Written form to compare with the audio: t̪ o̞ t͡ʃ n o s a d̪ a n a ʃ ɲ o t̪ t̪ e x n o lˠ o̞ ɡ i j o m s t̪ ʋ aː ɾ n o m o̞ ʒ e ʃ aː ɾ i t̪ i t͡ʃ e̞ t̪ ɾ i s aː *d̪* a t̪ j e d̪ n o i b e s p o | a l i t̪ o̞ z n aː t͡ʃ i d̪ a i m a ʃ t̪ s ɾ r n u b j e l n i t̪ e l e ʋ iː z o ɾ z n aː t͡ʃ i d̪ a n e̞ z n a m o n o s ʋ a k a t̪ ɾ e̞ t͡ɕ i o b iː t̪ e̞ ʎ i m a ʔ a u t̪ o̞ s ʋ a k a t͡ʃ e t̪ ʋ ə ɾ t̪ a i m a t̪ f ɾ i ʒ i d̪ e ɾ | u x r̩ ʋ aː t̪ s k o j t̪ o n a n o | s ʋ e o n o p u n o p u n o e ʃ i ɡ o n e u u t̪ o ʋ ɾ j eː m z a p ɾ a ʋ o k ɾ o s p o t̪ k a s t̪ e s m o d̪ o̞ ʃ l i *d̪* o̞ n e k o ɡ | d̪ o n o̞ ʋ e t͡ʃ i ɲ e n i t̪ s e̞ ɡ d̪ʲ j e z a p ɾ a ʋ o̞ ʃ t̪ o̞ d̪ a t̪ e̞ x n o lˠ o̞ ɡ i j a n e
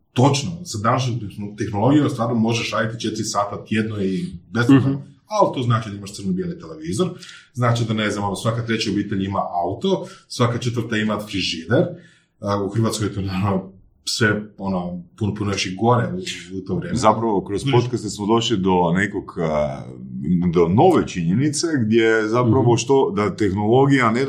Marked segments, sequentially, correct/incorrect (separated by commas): incorrect, correct